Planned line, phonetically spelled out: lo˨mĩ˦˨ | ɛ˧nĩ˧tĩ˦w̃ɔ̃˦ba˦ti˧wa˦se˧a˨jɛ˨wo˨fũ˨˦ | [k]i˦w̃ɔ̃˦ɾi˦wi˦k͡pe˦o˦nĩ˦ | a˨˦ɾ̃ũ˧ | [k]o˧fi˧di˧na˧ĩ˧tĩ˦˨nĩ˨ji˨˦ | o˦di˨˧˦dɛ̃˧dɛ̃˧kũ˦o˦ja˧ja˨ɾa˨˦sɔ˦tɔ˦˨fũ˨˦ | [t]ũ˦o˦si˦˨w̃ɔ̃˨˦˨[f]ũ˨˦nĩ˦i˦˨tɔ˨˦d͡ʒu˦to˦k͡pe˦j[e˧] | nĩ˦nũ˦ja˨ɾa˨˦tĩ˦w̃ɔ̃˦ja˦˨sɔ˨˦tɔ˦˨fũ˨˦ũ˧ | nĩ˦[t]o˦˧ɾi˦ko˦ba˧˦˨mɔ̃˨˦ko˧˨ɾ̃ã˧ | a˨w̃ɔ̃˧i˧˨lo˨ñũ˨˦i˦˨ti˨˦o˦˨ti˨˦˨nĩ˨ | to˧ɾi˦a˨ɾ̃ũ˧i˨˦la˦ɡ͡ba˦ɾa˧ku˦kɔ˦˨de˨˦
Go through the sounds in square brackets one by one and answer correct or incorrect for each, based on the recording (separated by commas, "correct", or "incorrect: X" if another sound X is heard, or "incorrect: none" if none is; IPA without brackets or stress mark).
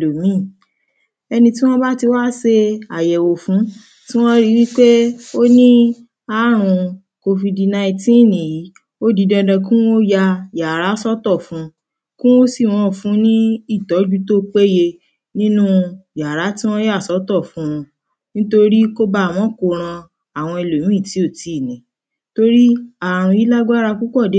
incorrect: t, correct, incorrect: k, correct, correct, correct